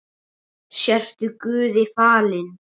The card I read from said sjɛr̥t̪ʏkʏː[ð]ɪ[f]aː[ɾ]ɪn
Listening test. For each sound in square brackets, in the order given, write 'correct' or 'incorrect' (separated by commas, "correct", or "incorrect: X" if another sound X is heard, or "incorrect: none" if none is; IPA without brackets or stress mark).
correct, correct, incorrect: l